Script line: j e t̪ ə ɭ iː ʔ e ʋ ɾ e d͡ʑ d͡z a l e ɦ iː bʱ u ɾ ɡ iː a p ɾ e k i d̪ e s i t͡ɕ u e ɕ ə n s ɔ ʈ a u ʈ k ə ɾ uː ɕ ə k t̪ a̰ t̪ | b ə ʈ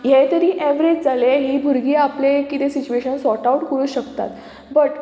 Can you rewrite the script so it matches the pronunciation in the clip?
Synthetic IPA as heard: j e t̪ ə ɾ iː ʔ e ʋ ɾ e d͡ʑ d͡z a l e ɦ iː bʱ u ɾ ɡ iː a p l e k i t̪ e s i t͡ɕ u e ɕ ə n s ɔ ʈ a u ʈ k ə ɾ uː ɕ ə k t̪ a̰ t̪ | b ə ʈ